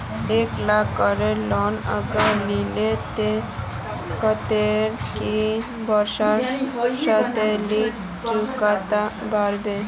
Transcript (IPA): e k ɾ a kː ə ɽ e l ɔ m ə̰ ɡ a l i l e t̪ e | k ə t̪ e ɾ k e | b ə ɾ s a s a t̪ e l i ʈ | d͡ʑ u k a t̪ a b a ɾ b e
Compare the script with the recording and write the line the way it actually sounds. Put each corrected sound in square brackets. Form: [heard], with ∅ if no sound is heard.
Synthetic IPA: e k [l] a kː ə [ɾ] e l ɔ [n] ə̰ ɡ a l i l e t̪ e | k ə t̪ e ɾ k [i] | b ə ɾ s a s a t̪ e l i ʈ | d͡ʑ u k a t̪ a b a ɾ b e

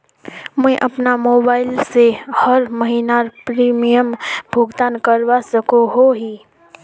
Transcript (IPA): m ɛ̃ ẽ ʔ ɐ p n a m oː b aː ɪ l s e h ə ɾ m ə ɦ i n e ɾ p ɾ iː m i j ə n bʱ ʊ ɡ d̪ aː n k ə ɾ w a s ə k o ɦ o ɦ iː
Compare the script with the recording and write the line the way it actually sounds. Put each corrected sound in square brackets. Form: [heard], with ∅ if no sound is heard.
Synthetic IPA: m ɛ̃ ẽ ʔ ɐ p n a m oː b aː ɪ l s e h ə ɾ m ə ɦ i n [a] ɾ p ɾ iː m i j ə [m] bʱ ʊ ɡ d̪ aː n k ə ɾ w a s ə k o ɦ o ɦ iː

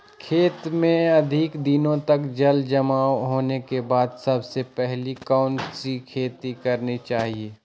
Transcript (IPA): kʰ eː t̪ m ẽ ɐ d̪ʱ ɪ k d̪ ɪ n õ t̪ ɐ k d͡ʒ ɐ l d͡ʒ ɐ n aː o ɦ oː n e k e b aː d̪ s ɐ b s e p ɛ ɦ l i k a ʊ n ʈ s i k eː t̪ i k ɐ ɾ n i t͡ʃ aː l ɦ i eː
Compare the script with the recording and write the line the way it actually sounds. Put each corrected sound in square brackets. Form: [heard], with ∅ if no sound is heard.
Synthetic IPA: kʰ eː t̪ m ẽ ɐ d̪ʱ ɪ k d̪ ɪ n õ t̪ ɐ k d͡ʒ ɐ l d͡ʒ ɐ [m] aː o ɦ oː n e k e b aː d̪ s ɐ b s e p ɛ ɦ l i k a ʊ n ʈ s i [kʰ] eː t̪ i k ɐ ɾ n i t͡ʃ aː [∅] ɦ i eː

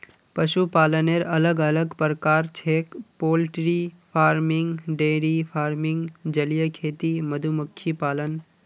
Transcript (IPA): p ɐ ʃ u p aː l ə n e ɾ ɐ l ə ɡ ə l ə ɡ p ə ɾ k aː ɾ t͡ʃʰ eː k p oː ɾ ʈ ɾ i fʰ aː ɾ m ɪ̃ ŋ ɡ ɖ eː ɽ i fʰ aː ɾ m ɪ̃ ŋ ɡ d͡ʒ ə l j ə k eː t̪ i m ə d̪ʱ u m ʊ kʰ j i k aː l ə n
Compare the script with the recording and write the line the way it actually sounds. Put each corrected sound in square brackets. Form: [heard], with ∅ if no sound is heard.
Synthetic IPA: p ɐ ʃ u p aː l ə n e ɾ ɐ l ə ɡ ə l ə ɡ p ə ɾ k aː ɾ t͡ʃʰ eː k p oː [l] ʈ ɾ i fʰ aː ɾ m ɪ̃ ŋ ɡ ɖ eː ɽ i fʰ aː ɾ m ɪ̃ ŋ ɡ d͡ʒ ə l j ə [kʰ] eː t̪ i m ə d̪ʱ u m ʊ kʰ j i [p] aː l ə n

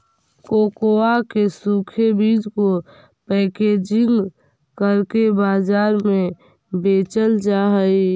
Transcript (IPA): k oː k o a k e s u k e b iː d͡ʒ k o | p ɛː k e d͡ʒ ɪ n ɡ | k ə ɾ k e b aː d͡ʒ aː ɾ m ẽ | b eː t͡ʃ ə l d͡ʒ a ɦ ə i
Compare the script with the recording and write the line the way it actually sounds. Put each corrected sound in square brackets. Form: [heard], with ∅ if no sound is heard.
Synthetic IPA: k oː k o a k e s u [kʰ] e b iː d͡ʒ k o | p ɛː k e d͡ʒ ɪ [ŋ] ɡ | k ə ɾ k e b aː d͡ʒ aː ɾ m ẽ | b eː t͡ʃ ə l d͡ʒ a ɦ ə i

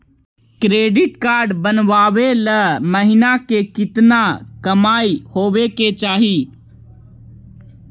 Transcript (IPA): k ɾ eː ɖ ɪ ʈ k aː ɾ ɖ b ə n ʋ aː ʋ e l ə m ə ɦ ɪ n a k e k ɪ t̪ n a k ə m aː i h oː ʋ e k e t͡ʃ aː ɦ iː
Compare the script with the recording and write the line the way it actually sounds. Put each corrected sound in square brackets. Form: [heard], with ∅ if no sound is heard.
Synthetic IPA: k ɾ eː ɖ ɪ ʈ k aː ɾ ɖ b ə n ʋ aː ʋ e l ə m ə ɦ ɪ n a k e k ɪ t̪ n a k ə m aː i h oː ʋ e k e t͡ʃ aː ɦ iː

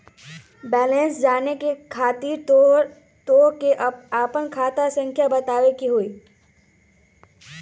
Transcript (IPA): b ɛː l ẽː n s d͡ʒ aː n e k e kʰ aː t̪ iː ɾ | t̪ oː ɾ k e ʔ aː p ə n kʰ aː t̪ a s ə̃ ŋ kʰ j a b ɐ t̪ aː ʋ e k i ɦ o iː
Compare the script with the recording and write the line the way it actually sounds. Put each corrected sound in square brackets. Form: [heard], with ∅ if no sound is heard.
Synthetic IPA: b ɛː l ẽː n s d͡ʒ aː n e k e kʰ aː t̪ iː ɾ | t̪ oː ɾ k e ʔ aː p ə n kʰ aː t̪ a s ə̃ ŋ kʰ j a b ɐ t̪ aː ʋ e k i ɦ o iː

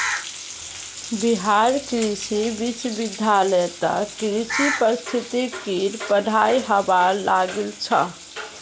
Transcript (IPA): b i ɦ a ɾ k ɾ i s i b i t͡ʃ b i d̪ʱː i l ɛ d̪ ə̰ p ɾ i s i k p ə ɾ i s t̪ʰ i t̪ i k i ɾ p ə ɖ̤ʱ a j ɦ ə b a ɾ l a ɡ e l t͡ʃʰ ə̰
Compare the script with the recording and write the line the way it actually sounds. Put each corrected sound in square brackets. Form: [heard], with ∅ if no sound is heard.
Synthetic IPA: b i ɦ a ɾ k ɾ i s i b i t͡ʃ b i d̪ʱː [a] l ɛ [t̪] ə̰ [k] ɾ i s i [∅] p ə ɾ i s t̪ʰ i t̪ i k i ɾ p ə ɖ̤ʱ a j ɦ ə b a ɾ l a ɡ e l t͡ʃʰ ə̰

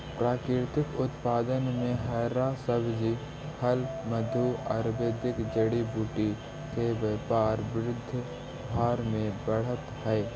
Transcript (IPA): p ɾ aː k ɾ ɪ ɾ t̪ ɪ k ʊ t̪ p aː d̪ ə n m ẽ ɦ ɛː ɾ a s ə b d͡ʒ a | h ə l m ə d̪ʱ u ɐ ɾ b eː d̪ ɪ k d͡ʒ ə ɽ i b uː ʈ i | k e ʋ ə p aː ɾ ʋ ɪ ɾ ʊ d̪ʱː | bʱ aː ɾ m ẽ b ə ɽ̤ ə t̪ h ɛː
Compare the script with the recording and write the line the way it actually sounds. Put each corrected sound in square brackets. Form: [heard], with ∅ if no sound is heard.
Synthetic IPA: p ɾ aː k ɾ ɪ ɾ t̪ ɪ k ʊ t̪ p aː d̪ ə n m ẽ ɦ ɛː ɾ a s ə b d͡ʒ [i] | h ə l m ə d̪ʱ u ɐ ɾ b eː d̪ ɪ k d͡ʒ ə ɽ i b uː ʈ i | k e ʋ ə p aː ɾ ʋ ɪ ɾ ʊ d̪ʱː | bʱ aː ɾ m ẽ b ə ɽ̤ ə t̪ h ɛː

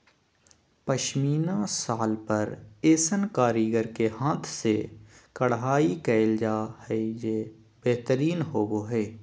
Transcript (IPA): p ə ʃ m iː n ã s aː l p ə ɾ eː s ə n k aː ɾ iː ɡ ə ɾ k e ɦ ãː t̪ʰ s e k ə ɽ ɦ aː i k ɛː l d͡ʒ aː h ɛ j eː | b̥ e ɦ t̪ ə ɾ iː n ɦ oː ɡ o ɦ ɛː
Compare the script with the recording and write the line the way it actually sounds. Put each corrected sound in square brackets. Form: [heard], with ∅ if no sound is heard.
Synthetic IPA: p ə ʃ m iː n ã s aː l p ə ɾ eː s ə n k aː ɾ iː ɡ ə ɾ k e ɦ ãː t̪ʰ s e k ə ɽ ɦ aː i k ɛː l d͡ʒ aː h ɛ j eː | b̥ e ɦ t̪ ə ɾ iː n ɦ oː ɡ o ɦ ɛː

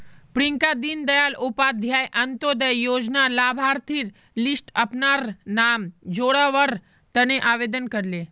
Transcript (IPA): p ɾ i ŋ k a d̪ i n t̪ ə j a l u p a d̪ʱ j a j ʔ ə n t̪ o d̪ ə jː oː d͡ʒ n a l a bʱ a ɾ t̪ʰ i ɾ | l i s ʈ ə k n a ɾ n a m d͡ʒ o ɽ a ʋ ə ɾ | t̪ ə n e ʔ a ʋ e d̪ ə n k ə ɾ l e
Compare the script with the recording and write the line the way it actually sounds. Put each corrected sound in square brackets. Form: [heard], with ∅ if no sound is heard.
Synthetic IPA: p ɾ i ŋ k a d̪ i n [d̪] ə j a l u p a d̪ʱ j a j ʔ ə n t̪ o d̪ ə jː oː d͡ʒ n a l a bʱ a ɾ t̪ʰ i ɾ | l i s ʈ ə [p] n a ɾ n a m d͡ʒ o ɽ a ʋ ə ɾ | t̪ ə n e ʔ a ʋ e d̪ ə n k ə ɾ l e

